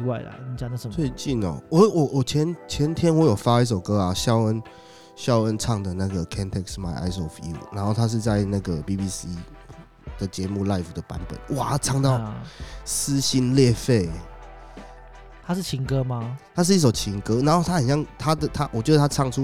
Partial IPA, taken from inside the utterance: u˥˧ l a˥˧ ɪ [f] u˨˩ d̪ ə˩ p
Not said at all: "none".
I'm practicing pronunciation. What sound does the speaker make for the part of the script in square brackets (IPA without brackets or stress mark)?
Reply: f